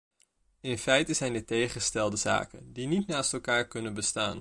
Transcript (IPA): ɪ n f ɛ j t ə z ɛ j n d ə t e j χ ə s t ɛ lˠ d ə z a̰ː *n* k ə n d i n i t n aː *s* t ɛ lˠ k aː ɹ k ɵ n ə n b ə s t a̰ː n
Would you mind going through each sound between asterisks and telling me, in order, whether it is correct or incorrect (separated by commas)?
incorrect, correct